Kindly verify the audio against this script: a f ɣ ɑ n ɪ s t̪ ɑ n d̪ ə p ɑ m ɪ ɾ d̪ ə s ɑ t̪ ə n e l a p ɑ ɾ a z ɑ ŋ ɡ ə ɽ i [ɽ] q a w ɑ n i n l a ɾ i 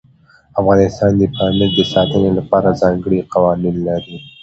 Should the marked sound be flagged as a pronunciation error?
yes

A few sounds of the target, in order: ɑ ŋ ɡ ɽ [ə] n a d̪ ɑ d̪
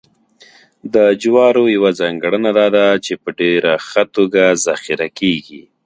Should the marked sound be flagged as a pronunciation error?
no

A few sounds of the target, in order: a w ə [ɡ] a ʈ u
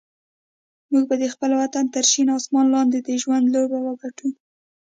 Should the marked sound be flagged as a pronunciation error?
no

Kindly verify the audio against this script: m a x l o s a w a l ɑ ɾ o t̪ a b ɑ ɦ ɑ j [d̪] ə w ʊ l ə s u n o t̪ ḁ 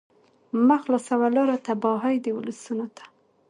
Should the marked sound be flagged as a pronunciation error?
no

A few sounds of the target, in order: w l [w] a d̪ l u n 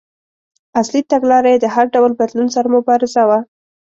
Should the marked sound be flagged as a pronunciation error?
yes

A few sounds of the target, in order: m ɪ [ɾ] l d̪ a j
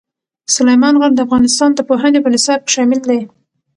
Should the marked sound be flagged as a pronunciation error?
yes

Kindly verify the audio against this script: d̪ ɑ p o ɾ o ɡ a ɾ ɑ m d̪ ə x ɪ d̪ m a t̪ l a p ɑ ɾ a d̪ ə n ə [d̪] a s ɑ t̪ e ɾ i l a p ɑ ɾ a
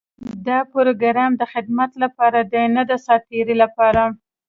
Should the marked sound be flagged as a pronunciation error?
no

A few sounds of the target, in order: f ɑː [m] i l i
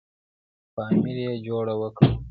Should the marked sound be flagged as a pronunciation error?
no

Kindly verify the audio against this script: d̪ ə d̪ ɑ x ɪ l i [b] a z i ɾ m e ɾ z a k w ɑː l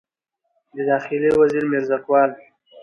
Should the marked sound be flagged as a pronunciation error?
yes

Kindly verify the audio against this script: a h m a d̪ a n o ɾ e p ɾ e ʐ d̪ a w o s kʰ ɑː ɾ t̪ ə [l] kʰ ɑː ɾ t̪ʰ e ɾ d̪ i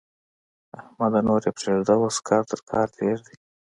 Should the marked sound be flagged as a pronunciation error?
yes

